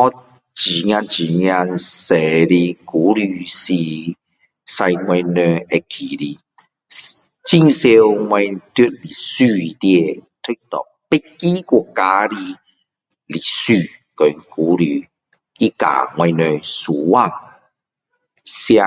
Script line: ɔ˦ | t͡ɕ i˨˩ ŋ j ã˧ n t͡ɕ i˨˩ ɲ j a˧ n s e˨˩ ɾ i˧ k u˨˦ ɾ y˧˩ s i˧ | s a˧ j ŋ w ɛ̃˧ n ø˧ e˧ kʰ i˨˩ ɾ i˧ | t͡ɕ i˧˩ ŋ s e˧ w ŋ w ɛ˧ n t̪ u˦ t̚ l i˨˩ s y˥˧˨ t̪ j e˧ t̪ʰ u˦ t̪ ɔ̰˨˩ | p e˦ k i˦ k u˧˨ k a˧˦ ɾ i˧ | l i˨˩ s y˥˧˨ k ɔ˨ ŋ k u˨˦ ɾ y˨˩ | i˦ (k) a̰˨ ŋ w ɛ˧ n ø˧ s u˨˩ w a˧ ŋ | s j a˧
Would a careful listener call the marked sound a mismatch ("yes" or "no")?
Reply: no